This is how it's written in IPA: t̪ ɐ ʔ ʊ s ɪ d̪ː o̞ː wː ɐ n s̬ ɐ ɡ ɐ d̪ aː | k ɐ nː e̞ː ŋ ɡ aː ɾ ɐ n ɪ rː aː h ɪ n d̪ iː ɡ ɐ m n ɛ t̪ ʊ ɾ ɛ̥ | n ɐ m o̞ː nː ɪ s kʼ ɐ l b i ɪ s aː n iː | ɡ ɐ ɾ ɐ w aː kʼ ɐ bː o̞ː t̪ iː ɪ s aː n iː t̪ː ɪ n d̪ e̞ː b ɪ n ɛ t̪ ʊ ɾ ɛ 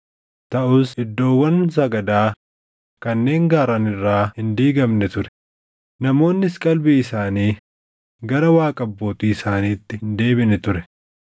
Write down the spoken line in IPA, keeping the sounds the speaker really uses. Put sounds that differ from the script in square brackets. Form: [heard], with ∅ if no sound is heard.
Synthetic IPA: t̪ ɐ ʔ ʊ s ɪ d̪ː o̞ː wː ɐ n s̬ ɐ ɡ ɐ d̪ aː | k ɐ nː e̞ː ŋ ɡ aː ɾ ɐ n ɪ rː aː h ɪ n d̪ iː ɡ ɐ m n ɛ t̪ ʊ ɾ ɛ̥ | n ɐ m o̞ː nː ɪ s kʼ ɐ l b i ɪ s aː n iː | ɡ ɐ ɾ ɐ w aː kʼ ɐ bː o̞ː t̪ iː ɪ s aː n iː t̪ː ɪ n d̪ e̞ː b ɪ n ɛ t̪ ʊ ɾ ɛ

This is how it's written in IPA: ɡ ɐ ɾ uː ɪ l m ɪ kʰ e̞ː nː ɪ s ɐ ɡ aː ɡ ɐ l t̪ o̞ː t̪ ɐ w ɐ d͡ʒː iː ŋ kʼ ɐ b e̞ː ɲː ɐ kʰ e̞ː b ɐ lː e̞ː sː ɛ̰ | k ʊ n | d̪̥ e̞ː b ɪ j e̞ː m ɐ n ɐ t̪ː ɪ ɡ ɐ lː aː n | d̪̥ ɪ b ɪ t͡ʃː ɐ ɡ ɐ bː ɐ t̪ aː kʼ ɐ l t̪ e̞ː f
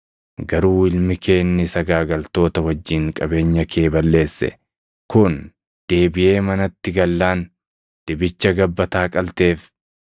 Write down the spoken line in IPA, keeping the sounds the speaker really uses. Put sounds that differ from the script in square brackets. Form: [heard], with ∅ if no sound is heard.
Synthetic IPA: ɡ ɐ ɾ uː ɪ l m ɪ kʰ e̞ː nː ɪ s ɐ ɡ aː ɡ ɐ l t̪ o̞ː t̪ ɐ w ɐ d͡ʒː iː ŋ kʼ ɐ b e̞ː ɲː ɐ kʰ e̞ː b ɐ lː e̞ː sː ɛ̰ | k ʊ n | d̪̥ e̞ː b ɪ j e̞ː m ɐ n ɐ t̪ː ɪ ɡ ɐ lː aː n | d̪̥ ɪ b ɪ t͡ʃː ɐ ɡ ɐ bː ɐ t̪ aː kʼ ɐ l t̪ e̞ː f

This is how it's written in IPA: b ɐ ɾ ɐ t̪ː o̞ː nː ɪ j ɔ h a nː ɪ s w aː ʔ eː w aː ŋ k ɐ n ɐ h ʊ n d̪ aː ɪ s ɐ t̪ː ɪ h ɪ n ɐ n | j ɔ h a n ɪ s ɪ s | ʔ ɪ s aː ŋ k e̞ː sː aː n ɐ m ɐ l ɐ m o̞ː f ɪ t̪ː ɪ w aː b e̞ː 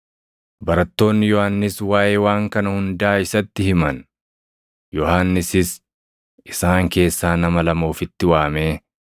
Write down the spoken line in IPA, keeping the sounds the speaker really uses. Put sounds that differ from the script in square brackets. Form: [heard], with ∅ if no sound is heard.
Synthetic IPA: b ɐ ɾ ɐ t̪ː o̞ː nː ɪ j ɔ h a nː ɪ s w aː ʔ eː w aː ŋ k ɐ n ɐ h ʊ n d̪ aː ɪ s ɐ t̪ː ɪ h ɪ [m] ɐ n | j ɔ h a [nː] ɪ s ɪ s | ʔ ɪ s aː ŋ k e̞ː sː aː n ɐ m ɐ l ɐ m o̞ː f ɪ t̪ː ɪ w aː [m] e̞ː

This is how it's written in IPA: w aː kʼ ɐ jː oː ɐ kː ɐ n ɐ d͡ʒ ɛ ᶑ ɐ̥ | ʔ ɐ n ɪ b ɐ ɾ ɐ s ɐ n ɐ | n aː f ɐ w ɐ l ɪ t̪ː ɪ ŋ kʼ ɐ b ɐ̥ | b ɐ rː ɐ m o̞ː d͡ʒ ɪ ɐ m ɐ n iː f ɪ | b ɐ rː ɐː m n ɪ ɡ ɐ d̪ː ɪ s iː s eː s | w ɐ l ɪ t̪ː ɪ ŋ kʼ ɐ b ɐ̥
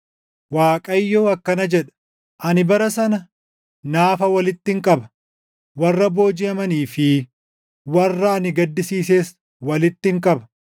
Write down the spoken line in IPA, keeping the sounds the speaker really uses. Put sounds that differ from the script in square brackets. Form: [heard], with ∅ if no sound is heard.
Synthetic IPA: w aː kʼ ɐ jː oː ɐ kː ɐ n ɐ d͡ʒ ɛ ᶑ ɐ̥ | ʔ ɐ n ɪ b ɐ ɾ ɐ s ɐ n ɐ | n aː f ɐ w ɐ l ɪ t̪ː ɪ ŋ kʼ ɐ b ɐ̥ | [w] ɐ rː ɐ [b] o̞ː d͡ʒ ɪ ɐ m ɐ n iː f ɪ | [w] ɐ rː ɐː [∅] n ɪ ɡ ɐ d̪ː ɪ s iː s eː s | w ɐ l ɪ t̪ː ɪ ŋ kʼ ɐ b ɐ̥

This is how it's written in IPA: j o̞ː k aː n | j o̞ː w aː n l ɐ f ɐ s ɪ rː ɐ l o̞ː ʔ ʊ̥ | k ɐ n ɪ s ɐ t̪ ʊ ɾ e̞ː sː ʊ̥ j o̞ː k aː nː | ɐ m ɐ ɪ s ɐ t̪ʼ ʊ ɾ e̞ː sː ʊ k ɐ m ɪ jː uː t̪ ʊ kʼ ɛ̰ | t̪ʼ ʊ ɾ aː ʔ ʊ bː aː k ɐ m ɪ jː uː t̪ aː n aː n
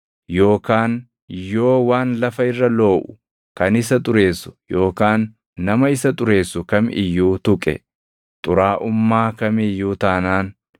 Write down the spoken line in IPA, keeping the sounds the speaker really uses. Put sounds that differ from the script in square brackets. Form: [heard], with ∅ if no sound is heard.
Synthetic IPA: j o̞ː k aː n | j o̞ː w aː n l ɐ f ɐ [∅] ɪ rː ɐ l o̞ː ʔ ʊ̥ | k ɐ n ɪ s ɐ [t̪ʼ] ʊ ɾ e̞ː sː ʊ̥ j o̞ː k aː nː | ɐ m ɐ ɪ s ɐ t̪ʼ ʊ ɾ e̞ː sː ʊ k ɐ m ɪ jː uː t̪ ʊ kʼ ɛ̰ | t̪ʼ ʊ ɾ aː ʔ ʊ [mː] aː k ɐ m ɪ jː uː t̪ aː n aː n

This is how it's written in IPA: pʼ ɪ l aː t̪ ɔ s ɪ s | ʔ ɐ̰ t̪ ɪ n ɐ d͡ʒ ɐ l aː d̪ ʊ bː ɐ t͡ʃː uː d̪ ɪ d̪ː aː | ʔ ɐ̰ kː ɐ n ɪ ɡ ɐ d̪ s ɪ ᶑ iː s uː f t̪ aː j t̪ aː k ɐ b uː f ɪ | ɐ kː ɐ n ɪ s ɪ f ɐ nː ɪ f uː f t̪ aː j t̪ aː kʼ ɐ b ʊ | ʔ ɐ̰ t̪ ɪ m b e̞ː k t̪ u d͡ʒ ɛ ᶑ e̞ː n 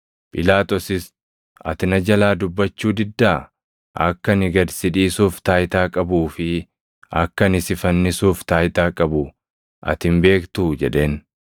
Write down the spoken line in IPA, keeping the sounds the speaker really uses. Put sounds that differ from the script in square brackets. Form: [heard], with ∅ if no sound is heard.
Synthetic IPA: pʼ ɪ l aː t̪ ɔ s ɪ s | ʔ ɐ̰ t̪ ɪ n ɐ d͡ʒ ɐ l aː d̪ ʊ bː ɐ t͡ʃː uː d̪ ɪ d̪ː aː | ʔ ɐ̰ kː ɐ n ɪ ɡ ɐ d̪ s ɪ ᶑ iː s uː f t̪ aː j t̪ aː [kʼ] ɐ b uː f ɪ | ɐ kː ɐ n ɪ s ɪ f ɐ nː ɪ [s] uː f t̪ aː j t̪ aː kʼ ɐ b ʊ | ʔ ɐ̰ t̪ ɪ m b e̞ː k t̪ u d͡ʒ ɛ ᶑ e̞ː n

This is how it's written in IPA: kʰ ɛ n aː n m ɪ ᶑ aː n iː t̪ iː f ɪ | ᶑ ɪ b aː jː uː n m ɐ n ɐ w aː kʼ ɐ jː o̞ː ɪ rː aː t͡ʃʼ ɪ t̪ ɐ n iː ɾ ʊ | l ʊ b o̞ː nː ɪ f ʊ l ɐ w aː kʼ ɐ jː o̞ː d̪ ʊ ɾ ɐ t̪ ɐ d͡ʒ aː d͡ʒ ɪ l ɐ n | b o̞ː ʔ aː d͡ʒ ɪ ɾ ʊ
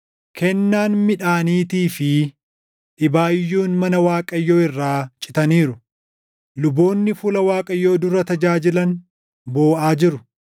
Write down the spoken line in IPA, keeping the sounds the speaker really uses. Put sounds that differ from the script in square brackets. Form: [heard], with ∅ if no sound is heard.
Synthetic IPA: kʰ ɛ [nː] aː n m ɪ ᶑ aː n iː t̪ iː f ɪ | ᶑ ɪ b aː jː uː n m ɐ n ɐ w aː kʼ ɐ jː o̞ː ɪ rː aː t͡ʃʼ ɪ t̪ ɐ n iː ɾ ʊ | l ʊ b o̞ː nː ɪ f ʊ l ɐ w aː kʼ ɐ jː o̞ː d̪ ʊ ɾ ɐ t̪ ɐ d͡ʒ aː d͡ʒ ɪ l ɐ n | b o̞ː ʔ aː d͡ʒ ɪ ɾ ʊ

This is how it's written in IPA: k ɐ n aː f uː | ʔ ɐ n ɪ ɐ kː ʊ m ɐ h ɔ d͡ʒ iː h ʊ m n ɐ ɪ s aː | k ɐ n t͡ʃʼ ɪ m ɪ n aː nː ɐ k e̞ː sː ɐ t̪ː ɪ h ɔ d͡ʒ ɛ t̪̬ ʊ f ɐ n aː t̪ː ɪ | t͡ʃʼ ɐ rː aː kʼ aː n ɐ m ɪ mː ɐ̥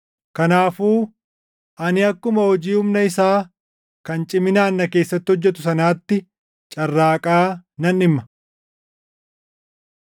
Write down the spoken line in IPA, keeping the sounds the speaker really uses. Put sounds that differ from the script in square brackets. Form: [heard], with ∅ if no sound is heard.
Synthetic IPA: k ɐ n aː f uː | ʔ ɐ n ɪ ɐ kː ʊ m ɐ h ɔ d͡ʒ iː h ʊ m n ɐ ɪ s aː | k ɐ n t͡ʃʼ ɪ m ɪ n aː nː ɐ k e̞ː sː ɐ t̪ː ɪ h ɔ [d͡ʒː] ɛ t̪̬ ʊ [s] ɐ n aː t̪ː ɪ | t͡ʃʼ ɐ rː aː kʼ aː n ɐ [n] ɪ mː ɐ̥

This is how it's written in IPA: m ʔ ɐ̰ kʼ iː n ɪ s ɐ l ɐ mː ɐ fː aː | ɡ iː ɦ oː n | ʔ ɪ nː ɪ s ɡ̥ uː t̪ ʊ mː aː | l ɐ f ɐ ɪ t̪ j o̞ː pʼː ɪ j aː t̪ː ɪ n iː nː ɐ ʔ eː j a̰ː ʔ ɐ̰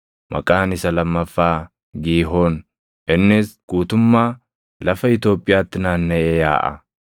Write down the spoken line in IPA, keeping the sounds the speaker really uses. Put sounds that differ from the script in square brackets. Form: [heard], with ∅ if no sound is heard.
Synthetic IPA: m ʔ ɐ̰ kʼ [aː] n ɪ s ɐ l ɐ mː ɐ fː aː | ɡ iː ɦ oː n | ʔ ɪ nː ɪ s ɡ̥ uː t̪ ʊ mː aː | l ɐ f ɐ ɪ t̪ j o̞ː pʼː ɪ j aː t̪ː ɪ n [aː] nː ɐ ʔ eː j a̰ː ʔ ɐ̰

